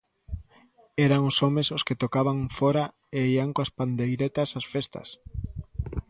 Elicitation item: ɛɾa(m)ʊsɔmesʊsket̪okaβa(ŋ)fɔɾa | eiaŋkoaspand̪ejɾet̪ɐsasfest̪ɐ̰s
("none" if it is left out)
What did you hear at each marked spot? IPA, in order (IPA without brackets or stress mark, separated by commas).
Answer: ŋ, ŋ